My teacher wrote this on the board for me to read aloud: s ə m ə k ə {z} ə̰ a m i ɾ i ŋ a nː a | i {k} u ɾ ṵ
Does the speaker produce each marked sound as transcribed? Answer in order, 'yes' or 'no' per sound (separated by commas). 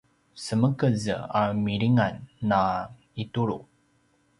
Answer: yes, no